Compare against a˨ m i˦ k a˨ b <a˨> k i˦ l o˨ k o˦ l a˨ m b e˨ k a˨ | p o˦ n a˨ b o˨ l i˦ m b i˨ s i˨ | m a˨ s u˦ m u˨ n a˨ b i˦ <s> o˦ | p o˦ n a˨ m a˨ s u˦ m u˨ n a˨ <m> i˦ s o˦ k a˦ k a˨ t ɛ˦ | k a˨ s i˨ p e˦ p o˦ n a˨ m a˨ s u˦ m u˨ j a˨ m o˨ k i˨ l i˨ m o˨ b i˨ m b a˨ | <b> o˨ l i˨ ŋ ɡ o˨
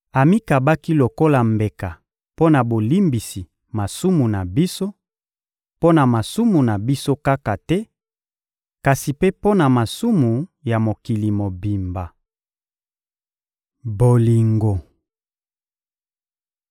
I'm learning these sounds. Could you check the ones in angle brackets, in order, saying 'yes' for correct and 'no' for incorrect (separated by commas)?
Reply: no, yes, no, yes